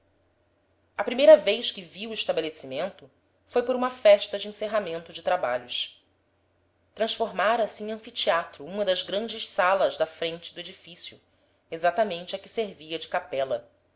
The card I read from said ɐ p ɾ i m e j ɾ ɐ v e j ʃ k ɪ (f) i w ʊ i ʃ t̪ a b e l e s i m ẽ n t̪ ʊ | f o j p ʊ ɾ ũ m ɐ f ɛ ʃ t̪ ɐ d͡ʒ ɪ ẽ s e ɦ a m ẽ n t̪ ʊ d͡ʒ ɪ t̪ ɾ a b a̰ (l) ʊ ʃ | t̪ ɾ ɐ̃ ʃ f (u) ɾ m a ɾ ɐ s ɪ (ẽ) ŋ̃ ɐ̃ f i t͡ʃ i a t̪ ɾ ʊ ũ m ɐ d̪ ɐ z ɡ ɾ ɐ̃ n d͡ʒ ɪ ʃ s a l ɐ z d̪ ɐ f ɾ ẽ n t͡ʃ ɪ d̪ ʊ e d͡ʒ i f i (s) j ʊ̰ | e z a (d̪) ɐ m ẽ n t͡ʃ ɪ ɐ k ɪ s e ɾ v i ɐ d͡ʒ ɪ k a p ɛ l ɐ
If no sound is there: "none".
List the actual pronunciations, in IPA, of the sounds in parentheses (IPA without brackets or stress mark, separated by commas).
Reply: v, ʎ, o, ẽ, s, t̪